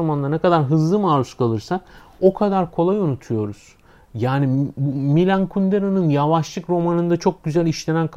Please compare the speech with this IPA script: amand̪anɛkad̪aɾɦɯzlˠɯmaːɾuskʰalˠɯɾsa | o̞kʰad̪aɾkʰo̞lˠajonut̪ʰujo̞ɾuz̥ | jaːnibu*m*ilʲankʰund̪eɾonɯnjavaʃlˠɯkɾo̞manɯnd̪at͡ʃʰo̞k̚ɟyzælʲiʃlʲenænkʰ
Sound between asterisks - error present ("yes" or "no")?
no